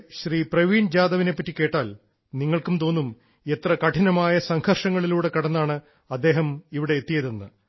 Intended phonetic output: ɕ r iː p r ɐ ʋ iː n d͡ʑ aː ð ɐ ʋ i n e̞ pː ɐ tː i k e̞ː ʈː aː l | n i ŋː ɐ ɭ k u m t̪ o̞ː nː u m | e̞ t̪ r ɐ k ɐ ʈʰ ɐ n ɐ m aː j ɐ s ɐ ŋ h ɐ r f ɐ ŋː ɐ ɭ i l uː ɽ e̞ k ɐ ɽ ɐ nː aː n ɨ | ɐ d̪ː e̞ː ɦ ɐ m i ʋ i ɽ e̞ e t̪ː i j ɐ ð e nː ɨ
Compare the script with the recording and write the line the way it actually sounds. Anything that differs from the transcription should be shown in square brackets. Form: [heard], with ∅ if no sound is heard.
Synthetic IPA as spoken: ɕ r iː p r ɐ ʋ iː n d͡ʑ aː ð ɐ ʋ i n e̞ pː ɐ tː i k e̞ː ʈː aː l | n i ŋː ɐ ɭ k u m t̪ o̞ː nː u m | e̞ t̪ r ɐ k ɐ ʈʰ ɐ n ɐ m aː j ɐ s ɐ ŋ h ɐ r [ʂ] ɐ ŋː ɐ ɭ i l uː ɽ e̞ k ɐ ɽ ɐ nː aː [ɳ] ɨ | ɐ d̪ː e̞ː ɦ ɐ m i ʋ i ɽ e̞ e t̪ː i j ɐ ð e nː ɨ